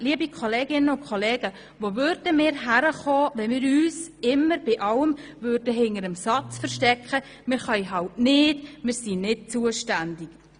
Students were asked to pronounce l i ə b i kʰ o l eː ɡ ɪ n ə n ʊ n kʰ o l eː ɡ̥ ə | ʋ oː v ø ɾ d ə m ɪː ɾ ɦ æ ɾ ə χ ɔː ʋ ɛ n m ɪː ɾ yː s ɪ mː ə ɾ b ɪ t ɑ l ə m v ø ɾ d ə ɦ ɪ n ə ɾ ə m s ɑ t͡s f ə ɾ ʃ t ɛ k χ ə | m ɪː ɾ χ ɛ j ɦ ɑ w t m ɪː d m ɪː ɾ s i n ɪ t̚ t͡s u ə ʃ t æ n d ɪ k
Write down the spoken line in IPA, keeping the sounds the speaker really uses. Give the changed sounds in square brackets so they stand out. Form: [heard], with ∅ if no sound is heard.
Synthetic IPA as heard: l i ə b i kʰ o l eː ɡ ɪ n ə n ʊ n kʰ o l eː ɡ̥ ə | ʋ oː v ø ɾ d ə m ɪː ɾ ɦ æ ɾ ə χ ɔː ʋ ɛ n m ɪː ɾ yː s ɪ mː ə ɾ b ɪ [ʔ] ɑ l ə m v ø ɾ d ə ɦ ɪ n ə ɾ ə m s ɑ t͡s f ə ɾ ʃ t ɛ k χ ə | m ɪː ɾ χ [œ] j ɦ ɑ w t [n] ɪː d m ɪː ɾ s i n ɪ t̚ t͡s u ə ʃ t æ n d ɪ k